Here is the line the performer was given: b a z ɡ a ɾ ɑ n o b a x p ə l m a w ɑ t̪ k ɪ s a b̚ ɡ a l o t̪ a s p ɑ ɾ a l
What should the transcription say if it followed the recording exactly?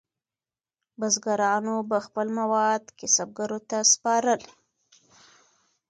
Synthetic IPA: b a z ɡ a ɾ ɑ n o b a x p ə l m a w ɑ d̪ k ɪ s a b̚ ɡ a ɾ o t̪ a s p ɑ ɾ ə l